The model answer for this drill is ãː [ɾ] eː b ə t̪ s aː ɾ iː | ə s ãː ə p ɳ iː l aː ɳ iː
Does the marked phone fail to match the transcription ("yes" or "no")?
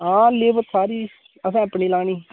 yes